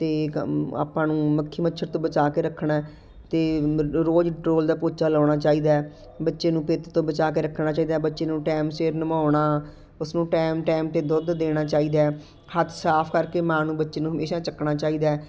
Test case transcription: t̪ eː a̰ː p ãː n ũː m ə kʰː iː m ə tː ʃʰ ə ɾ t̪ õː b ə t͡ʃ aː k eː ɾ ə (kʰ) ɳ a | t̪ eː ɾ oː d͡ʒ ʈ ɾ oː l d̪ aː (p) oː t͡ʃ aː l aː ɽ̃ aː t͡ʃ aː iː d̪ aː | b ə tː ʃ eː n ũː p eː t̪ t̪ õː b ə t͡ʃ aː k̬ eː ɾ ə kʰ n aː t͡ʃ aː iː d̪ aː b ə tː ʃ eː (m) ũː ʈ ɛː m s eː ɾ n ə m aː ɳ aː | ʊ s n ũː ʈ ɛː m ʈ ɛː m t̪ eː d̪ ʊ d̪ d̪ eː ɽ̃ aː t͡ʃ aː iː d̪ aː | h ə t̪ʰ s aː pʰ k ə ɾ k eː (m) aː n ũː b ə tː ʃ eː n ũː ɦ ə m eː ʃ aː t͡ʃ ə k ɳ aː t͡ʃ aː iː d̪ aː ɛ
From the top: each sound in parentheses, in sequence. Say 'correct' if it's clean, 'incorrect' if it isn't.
correct, correct, incorrect, correct

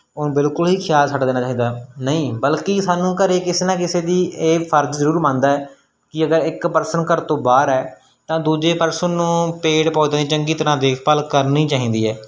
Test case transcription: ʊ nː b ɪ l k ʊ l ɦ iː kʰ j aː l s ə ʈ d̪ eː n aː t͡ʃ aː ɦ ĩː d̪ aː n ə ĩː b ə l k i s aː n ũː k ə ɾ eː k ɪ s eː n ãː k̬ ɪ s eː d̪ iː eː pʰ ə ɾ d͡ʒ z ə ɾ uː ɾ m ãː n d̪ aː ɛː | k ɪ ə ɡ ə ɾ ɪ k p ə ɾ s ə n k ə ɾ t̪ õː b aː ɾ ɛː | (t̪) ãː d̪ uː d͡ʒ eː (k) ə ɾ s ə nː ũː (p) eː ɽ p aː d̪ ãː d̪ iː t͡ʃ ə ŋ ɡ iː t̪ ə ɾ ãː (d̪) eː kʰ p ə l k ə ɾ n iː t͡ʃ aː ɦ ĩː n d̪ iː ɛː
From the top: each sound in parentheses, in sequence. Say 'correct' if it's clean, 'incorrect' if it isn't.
correct, incorrect, correct, correct

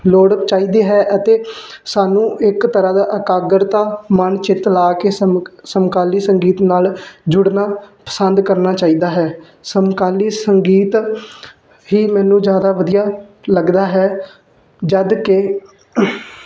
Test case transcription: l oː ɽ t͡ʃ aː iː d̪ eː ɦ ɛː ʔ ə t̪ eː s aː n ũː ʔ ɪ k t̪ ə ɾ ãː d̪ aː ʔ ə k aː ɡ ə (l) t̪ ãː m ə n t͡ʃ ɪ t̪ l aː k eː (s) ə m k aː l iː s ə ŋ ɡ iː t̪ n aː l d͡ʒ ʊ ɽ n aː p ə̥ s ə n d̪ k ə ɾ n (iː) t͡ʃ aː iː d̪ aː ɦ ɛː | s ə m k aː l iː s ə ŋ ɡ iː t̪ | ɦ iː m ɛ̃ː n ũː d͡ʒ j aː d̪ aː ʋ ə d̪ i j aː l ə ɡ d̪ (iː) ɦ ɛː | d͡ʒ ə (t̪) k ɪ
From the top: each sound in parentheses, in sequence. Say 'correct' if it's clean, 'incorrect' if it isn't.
incorrect, correct, incorrect, incorrect, incorrect

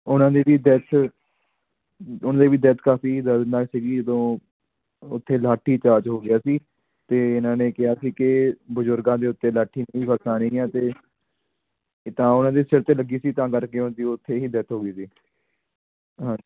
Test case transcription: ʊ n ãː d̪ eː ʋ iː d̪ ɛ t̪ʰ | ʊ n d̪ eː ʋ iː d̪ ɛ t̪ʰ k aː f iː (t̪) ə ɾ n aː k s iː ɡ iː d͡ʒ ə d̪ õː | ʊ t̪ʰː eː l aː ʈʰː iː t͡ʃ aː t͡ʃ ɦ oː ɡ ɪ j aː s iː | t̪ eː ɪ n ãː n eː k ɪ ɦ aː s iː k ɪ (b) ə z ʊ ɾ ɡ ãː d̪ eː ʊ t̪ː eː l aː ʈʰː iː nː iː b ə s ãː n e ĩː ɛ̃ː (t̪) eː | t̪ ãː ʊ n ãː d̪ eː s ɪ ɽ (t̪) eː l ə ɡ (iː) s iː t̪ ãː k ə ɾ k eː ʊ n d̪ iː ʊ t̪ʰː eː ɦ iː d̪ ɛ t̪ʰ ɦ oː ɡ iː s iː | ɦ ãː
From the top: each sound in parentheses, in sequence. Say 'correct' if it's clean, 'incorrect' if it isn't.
incorrect, correct, correct, correct, correct

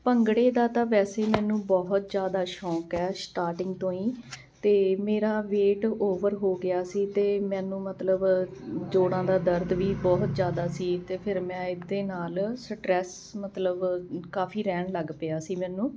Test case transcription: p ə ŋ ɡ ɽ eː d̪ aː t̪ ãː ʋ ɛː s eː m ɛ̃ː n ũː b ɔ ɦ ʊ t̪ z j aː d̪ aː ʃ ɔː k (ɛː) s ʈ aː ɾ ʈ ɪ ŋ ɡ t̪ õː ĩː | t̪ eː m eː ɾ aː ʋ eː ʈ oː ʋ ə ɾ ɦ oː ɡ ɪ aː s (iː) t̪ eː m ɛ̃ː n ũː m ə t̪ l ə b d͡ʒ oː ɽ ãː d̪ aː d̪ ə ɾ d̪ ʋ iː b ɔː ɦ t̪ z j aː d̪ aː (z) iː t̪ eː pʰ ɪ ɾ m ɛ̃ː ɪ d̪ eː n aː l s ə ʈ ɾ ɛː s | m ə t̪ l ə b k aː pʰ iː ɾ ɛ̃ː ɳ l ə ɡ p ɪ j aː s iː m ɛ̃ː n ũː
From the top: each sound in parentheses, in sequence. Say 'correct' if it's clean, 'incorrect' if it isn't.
correct, correct, incorrect

